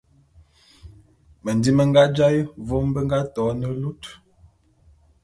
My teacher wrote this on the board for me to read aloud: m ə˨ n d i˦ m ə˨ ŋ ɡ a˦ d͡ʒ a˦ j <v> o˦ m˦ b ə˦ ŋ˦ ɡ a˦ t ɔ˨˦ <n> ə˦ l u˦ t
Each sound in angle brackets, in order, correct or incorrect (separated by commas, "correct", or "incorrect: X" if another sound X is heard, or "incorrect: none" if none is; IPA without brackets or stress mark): correct, correct